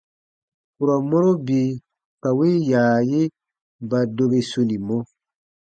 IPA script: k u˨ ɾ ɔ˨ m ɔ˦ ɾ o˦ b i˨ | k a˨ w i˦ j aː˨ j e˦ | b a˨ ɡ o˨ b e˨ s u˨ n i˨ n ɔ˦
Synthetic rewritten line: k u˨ ɾ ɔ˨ m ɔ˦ ɾ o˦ b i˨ | k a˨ w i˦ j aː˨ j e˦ | b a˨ d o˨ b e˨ s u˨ n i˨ m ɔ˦